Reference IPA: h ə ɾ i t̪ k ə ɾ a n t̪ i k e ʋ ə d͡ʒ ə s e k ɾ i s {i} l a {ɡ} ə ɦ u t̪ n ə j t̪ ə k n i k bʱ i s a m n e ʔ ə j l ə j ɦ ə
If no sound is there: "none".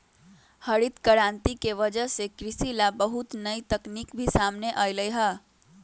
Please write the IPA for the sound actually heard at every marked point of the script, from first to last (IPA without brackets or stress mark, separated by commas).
i, b